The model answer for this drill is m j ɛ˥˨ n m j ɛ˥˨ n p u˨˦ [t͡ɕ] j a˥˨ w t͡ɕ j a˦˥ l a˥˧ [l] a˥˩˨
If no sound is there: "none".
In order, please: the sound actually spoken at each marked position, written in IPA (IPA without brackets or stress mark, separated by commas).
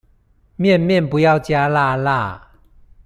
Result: none, l